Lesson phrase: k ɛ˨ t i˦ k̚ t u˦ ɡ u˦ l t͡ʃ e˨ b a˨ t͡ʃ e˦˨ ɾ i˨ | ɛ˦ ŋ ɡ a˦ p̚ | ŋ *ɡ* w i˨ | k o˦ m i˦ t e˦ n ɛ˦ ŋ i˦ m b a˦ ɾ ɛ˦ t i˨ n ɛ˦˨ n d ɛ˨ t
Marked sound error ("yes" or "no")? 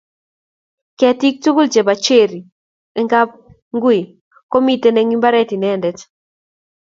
no